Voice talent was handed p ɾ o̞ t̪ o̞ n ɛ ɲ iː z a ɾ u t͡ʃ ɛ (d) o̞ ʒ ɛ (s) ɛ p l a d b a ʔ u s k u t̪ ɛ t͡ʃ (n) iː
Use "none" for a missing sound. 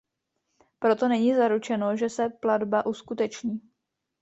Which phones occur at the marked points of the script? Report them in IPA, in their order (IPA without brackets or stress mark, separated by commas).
n, s, ɲ